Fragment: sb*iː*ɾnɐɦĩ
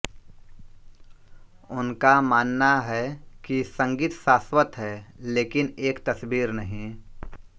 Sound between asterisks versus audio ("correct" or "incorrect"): correct